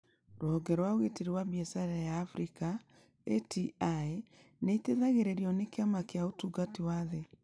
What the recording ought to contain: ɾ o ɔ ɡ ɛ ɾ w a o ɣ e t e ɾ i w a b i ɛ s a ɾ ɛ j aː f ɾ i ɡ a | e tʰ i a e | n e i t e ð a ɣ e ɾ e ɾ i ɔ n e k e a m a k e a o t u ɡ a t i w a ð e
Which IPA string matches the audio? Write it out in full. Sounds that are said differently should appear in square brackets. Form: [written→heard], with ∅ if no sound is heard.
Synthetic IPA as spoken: ɾ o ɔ ɡ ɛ ɾ w a o ɣ e t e ɾ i w a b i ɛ s a ɾ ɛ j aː f ɾ i [ɡ→k] a | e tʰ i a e | n e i t e ð a ɣ e ɾ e ɾ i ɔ n e k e a m a k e a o t u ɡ a t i w a ð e